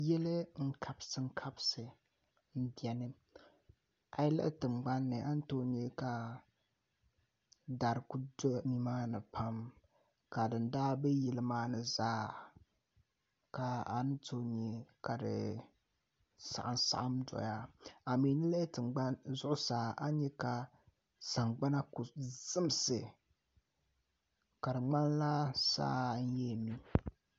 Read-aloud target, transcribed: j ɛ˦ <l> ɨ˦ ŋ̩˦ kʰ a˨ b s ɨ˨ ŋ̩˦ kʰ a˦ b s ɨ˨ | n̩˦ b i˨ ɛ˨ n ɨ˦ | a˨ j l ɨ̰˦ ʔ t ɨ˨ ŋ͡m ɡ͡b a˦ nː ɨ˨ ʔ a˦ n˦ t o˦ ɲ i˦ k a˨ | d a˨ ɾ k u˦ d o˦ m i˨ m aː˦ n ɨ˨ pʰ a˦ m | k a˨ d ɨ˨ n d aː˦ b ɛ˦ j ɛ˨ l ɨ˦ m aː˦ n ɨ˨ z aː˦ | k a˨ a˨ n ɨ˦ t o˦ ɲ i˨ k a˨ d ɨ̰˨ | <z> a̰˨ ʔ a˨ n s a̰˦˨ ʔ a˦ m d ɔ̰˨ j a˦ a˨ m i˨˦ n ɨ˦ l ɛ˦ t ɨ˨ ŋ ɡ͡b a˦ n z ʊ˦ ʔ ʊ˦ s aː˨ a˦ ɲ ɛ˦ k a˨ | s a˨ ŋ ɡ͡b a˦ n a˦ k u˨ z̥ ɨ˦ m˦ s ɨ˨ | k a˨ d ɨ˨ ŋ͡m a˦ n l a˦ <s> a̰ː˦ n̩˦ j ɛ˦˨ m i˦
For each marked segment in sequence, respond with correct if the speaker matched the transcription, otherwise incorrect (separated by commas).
correct, incorrect, correct